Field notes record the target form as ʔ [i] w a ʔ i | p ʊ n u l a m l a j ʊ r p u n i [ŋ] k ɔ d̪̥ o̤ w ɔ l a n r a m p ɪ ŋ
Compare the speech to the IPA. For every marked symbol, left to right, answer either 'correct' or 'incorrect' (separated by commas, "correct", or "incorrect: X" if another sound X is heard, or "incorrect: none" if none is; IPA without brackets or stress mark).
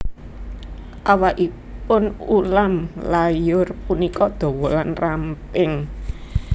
incorrect: a, incorrect: none